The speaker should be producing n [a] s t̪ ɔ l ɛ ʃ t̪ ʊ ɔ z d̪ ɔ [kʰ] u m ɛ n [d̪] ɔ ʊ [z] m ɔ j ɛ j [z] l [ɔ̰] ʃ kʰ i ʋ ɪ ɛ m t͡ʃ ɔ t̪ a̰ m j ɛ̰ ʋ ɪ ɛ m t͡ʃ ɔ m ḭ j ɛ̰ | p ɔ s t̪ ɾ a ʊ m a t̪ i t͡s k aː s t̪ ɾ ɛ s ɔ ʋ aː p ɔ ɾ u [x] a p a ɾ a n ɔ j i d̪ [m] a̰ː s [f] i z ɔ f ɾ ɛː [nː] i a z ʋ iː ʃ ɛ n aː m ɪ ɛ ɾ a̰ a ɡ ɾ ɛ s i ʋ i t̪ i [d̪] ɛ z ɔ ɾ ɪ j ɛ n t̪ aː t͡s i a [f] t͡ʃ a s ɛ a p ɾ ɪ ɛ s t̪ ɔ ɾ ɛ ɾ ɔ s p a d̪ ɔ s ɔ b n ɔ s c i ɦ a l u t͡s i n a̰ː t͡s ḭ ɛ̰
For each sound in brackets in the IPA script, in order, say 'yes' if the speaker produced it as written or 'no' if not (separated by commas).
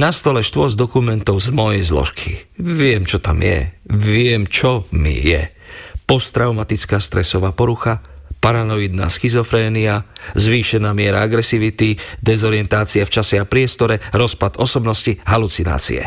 yes, no, no, yes, yes, yes, yes, no, no, no, yes, yes